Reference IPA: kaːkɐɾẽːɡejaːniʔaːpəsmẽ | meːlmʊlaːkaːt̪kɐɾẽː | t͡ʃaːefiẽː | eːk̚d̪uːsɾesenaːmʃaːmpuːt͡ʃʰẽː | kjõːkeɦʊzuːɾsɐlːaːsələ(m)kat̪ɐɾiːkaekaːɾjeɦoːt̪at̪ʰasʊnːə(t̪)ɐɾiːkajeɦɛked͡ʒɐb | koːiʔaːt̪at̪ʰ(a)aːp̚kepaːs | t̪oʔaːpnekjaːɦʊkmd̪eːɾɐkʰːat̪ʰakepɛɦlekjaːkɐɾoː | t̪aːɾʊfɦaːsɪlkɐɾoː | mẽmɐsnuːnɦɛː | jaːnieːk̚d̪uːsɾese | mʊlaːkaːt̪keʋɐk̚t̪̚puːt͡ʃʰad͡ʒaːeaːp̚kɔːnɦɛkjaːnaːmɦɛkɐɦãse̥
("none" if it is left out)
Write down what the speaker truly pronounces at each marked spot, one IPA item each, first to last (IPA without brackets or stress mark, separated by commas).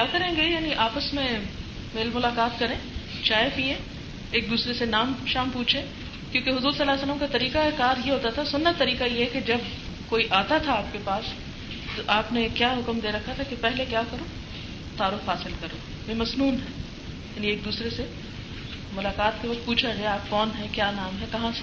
m, t̪, a